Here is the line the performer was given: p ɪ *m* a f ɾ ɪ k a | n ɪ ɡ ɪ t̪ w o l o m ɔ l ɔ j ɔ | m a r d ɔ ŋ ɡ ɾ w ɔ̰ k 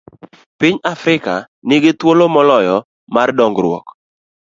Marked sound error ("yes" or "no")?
yes